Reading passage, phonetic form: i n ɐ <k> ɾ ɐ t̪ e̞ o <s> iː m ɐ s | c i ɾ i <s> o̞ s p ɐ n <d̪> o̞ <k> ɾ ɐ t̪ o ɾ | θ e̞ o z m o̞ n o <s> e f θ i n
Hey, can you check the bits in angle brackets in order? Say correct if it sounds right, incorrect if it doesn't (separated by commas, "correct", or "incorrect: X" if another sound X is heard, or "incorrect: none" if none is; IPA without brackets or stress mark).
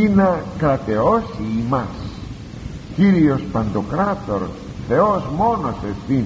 correct, correct, incorrect: none, correct, correct, correct